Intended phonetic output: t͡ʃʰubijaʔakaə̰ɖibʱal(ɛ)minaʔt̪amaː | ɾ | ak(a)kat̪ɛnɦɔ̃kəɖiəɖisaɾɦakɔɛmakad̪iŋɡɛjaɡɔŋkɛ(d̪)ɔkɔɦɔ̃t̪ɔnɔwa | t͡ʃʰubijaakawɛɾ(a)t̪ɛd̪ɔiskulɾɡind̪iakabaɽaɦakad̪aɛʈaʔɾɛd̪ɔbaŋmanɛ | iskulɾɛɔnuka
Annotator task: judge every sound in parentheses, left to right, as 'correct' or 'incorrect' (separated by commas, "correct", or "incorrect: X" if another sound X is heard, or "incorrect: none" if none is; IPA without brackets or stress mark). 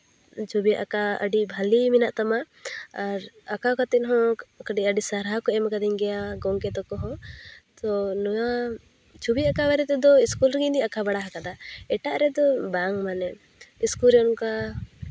incorrect: i, correct, incorrect: t̪, incorrect: ɛ